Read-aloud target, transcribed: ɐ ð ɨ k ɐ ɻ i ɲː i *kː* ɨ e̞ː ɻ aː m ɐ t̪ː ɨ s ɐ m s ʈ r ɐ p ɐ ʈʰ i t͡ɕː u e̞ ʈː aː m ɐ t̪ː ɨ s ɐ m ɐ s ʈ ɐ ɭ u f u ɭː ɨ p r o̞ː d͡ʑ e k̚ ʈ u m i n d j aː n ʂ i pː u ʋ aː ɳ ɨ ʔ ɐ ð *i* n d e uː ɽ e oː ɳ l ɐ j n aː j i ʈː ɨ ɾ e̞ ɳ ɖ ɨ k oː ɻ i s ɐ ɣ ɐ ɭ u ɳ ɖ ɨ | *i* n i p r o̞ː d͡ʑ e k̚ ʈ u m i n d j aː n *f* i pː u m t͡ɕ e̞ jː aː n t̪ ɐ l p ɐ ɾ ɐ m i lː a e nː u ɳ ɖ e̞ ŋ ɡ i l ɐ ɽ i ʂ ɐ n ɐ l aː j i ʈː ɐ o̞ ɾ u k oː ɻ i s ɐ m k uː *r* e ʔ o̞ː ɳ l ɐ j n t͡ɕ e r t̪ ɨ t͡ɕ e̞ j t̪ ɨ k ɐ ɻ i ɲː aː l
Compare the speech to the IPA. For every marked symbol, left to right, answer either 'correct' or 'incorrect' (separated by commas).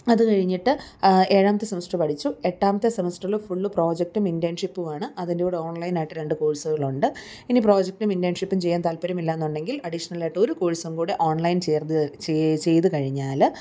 incorrect, correct, correct, incorrect, incorrect